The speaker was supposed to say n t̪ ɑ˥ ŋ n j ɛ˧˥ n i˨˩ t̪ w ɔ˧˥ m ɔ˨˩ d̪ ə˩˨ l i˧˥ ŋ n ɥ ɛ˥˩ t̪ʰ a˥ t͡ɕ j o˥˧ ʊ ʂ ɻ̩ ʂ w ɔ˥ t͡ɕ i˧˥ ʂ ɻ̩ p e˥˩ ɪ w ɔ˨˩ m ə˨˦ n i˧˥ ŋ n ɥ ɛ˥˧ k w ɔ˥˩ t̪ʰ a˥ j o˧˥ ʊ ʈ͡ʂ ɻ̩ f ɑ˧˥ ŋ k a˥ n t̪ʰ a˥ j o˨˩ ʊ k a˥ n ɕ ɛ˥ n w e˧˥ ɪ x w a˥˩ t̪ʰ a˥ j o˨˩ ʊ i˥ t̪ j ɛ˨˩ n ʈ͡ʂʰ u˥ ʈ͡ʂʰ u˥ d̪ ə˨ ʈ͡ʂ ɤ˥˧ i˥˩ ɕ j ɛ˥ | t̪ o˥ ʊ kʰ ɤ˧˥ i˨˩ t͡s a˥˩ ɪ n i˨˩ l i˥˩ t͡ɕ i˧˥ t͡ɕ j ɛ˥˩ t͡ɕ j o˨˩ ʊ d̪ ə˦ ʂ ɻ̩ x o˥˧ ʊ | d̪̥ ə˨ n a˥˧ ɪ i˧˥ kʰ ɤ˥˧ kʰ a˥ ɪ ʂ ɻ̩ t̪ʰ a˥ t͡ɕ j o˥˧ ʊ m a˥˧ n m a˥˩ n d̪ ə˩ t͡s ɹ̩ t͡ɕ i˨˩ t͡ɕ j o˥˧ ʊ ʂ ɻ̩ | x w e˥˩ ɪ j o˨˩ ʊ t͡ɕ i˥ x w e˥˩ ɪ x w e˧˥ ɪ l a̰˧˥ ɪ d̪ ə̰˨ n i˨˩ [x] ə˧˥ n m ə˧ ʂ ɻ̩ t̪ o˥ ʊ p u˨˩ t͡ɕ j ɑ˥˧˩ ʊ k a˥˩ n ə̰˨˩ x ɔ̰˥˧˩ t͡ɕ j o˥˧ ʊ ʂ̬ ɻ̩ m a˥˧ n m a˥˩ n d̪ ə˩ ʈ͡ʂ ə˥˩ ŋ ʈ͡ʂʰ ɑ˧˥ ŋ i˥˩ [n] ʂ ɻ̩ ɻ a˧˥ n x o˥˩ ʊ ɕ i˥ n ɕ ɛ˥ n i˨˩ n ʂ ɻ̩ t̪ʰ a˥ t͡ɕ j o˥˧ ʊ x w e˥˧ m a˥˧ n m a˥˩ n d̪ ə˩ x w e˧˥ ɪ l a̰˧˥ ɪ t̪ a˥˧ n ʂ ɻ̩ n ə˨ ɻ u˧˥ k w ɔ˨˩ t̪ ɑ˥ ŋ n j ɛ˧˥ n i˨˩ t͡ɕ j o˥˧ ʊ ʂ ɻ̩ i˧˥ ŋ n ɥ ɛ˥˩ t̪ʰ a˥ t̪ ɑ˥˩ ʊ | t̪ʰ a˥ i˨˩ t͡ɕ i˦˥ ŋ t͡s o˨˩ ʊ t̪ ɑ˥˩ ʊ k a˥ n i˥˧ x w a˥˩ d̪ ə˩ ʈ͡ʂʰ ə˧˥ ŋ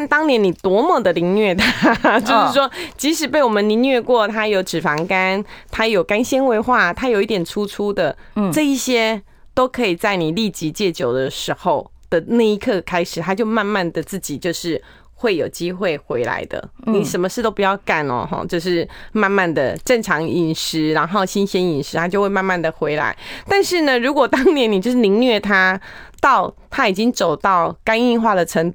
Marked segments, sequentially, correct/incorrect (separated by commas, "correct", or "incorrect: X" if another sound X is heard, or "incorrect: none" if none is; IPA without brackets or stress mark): incorrect: ʂ, correct